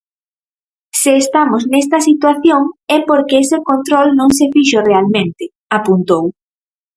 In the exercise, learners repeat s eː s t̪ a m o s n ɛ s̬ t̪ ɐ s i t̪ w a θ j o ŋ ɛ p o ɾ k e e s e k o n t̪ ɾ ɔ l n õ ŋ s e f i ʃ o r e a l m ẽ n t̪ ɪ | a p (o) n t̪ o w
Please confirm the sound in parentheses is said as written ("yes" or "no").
no